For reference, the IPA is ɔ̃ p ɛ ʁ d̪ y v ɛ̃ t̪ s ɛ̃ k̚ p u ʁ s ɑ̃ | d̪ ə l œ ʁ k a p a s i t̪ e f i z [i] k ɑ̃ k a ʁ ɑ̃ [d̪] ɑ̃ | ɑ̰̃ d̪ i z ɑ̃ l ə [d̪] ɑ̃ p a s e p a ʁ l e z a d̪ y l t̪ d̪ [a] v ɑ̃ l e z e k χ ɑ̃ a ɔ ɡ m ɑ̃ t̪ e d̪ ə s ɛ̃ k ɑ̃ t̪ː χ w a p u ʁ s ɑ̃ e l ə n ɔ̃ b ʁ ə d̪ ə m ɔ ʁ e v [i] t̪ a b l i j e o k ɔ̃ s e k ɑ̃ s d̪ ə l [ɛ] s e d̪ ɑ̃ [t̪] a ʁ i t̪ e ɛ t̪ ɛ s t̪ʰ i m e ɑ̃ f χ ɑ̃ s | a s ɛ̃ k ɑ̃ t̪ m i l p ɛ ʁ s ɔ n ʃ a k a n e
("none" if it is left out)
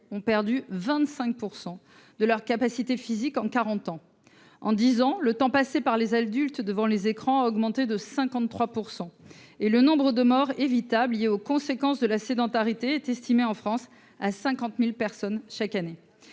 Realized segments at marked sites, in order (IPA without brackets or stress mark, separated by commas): i, t̪, t̪, ə, i, a, t̪